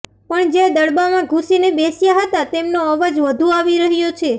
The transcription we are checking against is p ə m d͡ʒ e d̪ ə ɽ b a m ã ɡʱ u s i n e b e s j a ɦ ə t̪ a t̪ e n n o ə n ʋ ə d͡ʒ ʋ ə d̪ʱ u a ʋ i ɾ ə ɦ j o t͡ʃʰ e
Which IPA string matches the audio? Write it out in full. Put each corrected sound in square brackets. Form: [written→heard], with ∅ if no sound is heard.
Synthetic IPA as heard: p ə [m→ɳ] d͡ʒ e d̪ ə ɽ b a m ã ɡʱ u s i n e b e s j a ɦ ə t̪ a t̪ e [n→m] n o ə [n→∅] ʋ ə d͡ʒ ʋ ə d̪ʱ u a ʋ i ɾ ə ɦ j o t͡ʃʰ e

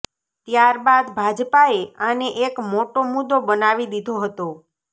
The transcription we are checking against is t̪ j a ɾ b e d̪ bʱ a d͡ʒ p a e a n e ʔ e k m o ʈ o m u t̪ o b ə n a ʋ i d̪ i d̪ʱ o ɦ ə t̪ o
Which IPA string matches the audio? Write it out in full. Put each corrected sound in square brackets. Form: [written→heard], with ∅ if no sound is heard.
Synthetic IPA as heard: t̪ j a ɾ b [e→a] d̪ bʱ a d͡ʒ p a e a n e ʔ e k m o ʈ o m u [t̪→d̪] o b ə n a ʋ i d̪ i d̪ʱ o ɦ ə t̪ o

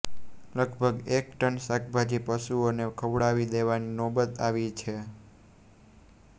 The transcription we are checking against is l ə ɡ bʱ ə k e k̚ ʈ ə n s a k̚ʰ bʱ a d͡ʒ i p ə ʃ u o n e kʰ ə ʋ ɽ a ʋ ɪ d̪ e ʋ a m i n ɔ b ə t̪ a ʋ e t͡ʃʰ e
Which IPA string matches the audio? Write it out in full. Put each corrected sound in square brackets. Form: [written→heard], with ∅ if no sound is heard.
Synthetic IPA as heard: l ə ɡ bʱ ə [k→ɡ] e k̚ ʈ ə n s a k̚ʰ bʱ a d͡ʒ i p ə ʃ u o n e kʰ ə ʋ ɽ a ʋ [ɪ→i] d̪ e ʋ a [m→n] i n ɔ b ə t̪ a ʋ [e→i] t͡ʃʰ e

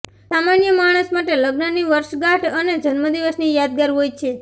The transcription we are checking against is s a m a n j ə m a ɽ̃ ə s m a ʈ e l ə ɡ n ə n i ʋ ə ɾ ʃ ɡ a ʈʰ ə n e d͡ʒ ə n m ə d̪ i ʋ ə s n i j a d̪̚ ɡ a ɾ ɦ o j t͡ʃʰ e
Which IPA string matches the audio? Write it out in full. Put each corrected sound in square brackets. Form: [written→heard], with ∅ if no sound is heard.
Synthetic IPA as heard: s a m a n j ə m a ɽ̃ ə s m a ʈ e l ə ɡ n ə n i ʋ ə ɾ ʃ ɡ a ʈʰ ə n e d͡ʒ ə n m ə d̪ i ʋ ə s n i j a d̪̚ ɡ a ɾ ɦ o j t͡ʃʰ e

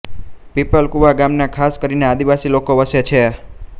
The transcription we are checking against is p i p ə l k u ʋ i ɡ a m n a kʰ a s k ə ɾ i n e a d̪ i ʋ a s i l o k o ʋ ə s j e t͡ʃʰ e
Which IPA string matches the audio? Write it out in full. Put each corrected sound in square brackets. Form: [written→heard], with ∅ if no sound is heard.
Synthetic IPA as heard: p i p ə l k u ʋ [i→a] ɡ a m n a kʰ a s k ə ɾ i n e a d̪ i ʋ a s i l o k o ʋ ə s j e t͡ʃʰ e

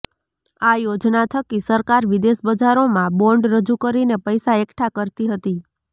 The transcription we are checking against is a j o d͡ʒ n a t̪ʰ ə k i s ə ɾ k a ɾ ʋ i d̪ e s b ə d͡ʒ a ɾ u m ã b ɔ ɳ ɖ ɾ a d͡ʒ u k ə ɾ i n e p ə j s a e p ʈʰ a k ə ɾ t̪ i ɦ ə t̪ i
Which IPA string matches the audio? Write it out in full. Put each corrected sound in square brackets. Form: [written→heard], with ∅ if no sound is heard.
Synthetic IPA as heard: a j o d͡ʒ n a t̪ʰ ə k i s ə ɾ k a ɾ ʋ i d̪ e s b ə d͡ʒ a ɾ [u→o] m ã b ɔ ɳ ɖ ɾ [a→ə] d͡ʒ u k ə ɾ i n e p ə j s a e [p→k] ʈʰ a k ə ɾ t̪ i ɦ ə t̪ i

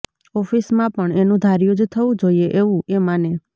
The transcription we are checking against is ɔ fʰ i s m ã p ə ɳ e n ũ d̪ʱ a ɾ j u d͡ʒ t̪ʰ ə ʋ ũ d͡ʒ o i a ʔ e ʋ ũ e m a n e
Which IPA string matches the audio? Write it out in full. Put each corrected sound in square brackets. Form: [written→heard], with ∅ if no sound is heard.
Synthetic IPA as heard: ɔ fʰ i s m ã p ə ɳ e n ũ d̪ʱ a ɾ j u d͡ʒ t̪ʰ ə ʋ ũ d͡ʒ o i [a→e] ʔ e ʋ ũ e m a n e

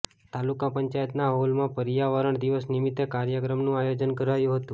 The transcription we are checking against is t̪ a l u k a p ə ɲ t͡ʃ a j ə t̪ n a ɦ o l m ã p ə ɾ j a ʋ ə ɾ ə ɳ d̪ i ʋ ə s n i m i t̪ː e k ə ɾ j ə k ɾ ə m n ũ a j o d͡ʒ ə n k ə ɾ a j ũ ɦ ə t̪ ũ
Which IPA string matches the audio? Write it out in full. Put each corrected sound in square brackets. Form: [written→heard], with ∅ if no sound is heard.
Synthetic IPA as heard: t̪ a l u k a p ə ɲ t͡ʃ a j ə t̪ n a ɦ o l m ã p ə ɾ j a ʋ ə ɾ ə ɳ d̪ i ʋ ə s n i m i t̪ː e k [ə→a] ɾ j ə k ɾ ə m n ũ a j o d͡ʒ ə n k ə ɾ a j ũ ɦ ə t̪ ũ

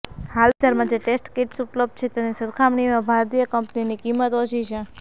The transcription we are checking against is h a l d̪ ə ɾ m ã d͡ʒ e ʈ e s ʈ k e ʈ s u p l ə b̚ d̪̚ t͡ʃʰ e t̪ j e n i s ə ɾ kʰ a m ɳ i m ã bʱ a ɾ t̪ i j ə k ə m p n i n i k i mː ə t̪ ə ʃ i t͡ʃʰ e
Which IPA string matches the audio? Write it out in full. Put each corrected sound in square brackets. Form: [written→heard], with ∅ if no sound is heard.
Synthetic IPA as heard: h a l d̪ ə ɾ m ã d͡ʒ e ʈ e s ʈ k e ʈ s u p l ə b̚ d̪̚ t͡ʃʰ e t̪ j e n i s ə ɾ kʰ a m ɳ i m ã bʱ a ɾ t̪ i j ə k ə m p n i n i k i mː ə t̪ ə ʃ i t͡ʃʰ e

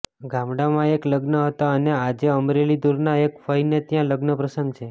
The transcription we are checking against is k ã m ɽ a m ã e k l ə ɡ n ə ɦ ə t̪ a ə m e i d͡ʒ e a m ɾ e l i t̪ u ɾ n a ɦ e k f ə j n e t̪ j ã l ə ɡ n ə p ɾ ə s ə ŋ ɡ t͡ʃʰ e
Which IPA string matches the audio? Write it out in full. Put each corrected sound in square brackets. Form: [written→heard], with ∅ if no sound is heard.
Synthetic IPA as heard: [k→ɡ] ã m ɽ a m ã e k l ə ɡ n ə ɦ ə t̪ a ə [m→n] e [i→a] d͡ʒ e [a→ə] m ɾ e l i [t̪→d̪] u ɾ n a [ɦ→∅] e k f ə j n e t̪ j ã l ə ɡ n ə p ɾ ə s ə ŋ ɡ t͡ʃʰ e

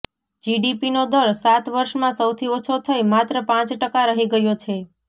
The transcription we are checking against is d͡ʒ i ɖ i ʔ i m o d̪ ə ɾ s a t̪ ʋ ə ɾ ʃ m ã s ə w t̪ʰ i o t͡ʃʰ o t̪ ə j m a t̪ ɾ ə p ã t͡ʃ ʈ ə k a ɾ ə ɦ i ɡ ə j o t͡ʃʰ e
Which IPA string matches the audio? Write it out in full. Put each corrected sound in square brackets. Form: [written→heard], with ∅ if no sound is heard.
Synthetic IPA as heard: d͡ʒ i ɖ i [ʔ→p] i [m→n] o d̪ ə ɾ s a t̪ ʋ ə ɾ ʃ m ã s ə w t̪ʰ i o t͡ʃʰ o [t̪→t̪ʰ] ə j m a t̪ ɾ ə p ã t͡ʃ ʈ ə k a ɾ ə ɦ i ɡ ə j o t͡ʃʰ e

